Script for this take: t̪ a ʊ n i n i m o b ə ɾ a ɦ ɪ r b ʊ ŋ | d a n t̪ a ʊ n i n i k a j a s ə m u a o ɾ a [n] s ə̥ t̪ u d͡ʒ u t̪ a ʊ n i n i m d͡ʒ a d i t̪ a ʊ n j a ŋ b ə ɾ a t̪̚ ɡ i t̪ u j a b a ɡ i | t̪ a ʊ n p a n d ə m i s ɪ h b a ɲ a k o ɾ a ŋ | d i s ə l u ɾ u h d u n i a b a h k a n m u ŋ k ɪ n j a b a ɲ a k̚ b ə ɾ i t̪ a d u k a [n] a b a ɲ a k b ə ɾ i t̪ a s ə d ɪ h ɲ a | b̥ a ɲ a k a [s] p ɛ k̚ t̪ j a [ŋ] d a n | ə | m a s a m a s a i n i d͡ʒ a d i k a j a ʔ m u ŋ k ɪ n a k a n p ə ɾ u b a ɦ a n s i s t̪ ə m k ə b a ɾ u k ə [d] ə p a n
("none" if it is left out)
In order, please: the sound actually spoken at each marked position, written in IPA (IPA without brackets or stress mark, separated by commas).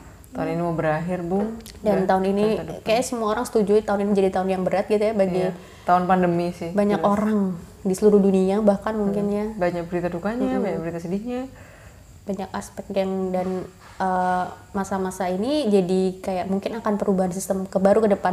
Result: ŋ, ɲ, s, ŋ, d